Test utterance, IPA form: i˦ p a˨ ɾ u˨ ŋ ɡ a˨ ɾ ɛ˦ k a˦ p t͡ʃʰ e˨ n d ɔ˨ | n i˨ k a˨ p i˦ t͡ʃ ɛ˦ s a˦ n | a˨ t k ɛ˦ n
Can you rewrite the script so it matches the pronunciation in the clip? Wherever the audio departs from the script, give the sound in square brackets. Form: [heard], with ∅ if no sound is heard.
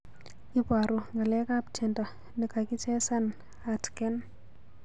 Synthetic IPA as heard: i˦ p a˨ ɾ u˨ ŋ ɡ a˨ [l] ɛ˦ k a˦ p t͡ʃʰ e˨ n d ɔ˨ | n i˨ k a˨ [k] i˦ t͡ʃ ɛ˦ s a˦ n | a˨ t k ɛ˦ n